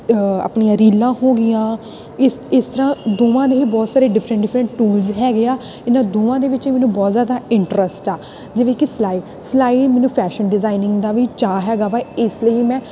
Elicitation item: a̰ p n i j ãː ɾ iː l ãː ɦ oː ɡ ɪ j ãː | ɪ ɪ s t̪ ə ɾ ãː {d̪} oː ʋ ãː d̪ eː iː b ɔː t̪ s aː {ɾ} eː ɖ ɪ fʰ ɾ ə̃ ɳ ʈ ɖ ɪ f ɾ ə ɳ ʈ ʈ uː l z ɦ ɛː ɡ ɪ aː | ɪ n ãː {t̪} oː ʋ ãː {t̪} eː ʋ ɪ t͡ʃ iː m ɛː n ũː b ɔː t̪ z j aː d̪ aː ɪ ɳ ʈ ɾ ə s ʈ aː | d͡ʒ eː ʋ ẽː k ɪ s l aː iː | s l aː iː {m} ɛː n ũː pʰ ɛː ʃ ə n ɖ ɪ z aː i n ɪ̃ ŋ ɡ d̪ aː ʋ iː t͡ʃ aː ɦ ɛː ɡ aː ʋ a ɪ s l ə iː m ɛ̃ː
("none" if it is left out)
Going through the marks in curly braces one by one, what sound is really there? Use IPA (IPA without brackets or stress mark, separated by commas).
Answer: d̪, ɾ, d̪, d̪, m